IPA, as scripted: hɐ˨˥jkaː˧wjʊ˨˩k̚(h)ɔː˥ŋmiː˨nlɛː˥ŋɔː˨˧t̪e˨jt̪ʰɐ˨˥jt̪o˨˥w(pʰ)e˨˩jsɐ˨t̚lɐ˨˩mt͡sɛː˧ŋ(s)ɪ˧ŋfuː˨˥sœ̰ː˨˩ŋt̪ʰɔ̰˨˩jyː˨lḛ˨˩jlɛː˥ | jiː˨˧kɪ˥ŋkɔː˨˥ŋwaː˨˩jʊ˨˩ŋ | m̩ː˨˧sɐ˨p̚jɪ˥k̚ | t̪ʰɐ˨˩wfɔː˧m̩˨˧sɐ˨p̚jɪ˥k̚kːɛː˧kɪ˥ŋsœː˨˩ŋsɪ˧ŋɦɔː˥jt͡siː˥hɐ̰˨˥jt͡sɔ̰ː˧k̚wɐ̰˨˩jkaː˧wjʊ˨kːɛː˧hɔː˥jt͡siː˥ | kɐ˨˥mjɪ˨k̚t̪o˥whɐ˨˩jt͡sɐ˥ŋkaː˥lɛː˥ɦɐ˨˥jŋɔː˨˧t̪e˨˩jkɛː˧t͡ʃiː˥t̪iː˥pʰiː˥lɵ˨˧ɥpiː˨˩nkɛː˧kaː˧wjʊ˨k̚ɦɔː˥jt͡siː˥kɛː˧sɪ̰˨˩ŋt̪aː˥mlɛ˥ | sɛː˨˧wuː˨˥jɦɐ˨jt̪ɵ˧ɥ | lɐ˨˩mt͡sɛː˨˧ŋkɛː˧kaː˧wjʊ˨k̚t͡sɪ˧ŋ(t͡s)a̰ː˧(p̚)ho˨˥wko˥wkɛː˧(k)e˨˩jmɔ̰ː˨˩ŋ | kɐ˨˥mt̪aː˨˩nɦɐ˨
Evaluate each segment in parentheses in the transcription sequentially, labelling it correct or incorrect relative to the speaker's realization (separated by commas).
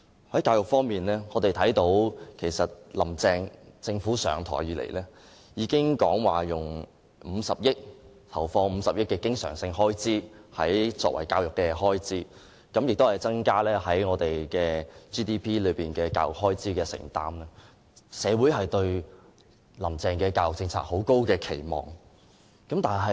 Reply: incorrect, incorrect, incorrect, incorrect, incorrect, incorrect